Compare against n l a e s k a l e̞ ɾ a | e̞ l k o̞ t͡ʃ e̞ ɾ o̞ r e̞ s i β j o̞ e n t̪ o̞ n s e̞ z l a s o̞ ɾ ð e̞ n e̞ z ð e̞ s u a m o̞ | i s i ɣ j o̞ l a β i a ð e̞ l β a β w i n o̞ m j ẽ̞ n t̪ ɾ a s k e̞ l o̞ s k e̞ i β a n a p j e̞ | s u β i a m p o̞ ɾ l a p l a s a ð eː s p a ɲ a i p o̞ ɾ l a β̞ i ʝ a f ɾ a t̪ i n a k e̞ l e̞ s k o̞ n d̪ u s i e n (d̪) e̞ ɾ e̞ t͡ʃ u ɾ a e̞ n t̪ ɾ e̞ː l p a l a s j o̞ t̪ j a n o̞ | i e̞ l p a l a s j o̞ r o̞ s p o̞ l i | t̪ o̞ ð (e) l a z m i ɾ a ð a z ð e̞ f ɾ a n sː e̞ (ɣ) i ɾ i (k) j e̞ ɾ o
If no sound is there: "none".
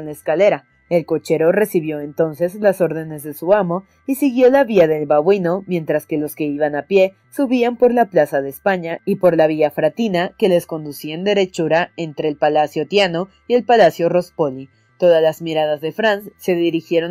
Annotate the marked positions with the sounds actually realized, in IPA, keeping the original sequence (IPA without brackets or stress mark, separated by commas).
d̪, a, ð, x